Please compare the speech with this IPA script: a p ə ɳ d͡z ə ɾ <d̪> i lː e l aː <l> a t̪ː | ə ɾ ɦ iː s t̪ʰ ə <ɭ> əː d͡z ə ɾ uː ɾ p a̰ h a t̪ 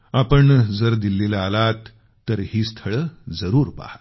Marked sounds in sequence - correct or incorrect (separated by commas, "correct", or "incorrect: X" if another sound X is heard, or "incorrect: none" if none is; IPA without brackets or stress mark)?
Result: correct, correct, correct